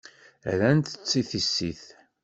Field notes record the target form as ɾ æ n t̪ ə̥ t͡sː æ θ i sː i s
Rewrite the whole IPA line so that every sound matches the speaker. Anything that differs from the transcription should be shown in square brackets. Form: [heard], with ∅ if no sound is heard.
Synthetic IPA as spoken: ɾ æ n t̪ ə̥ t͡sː [i] θ i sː i [θ]